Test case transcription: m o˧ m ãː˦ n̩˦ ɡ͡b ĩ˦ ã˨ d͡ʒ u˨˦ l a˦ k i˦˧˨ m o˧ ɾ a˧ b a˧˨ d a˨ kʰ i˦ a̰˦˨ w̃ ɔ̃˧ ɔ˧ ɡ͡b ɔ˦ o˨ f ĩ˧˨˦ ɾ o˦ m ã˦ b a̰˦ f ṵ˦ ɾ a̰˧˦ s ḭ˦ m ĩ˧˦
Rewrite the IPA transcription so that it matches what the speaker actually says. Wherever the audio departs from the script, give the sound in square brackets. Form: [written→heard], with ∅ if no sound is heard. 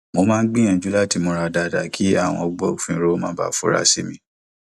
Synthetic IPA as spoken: m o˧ m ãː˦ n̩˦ ɡ͡b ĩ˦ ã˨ d͡ʒ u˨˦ l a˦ [k→t] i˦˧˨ m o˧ ɾ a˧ [b→d] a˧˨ d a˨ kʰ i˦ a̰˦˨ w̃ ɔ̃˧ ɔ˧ ɡ͡b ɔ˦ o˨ f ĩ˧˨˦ ɾ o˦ m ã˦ b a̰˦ f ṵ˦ ɾ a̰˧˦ s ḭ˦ m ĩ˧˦